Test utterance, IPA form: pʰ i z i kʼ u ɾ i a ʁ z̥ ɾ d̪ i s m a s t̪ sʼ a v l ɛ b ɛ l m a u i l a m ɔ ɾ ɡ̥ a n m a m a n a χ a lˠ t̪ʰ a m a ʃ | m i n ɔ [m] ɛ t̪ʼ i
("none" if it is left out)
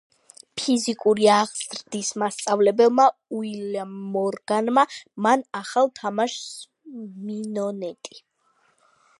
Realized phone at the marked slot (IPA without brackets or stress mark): n